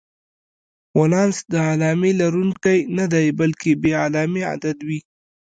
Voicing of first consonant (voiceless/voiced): voiced